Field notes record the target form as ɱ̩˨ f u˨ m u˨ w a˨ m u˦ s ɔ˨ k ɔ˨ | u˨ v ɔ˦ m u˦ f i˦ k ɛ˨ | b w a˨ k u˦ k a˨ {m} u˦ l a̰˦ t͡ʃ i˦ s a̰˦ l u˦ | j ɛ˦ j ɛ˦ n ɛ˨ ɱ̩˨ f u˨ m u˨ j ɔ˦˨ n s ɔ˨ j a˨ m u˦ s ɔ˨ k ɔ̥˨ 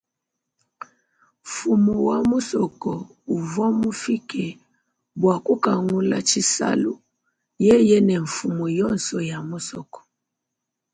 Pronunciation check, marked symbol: incorrect: ŋ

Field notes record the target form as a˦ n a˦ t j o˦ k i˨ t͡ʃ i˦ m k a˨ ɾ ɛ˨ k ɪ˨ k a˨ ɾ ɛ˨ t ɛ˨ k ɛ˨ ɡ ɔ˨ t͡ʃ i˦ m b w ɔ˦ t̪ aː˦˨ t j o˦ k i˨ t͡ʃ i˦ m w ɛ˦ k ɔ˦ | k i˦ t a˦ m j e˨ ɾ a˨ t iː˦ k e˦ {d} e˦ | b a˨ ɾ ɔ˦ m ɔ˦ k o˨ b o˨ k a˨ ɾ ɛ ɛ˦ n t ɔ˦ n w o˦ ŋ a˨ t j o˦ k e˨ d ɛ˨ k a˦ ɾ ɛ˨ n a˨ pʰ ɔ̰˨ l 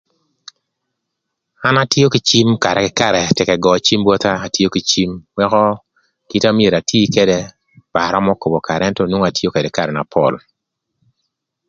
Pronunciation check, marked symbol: correct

